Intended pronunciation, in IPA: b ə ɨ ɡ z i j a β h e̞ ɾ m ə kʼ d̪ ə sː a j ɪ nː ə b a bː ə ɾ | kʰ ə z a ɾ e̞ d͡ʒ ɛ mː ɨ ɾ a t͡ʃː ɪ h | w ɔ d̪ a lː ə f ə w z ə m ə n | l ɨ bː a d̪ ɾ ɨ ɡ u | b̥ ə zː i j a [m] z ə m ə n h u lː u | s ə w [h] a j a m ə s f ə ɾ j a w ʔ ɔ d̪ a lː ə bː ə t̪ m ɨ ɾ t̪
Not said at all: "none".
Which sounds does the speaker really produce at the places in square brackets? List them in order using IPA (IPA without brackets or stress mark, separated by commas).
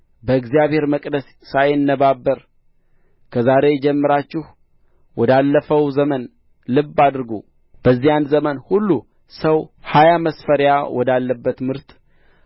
n, h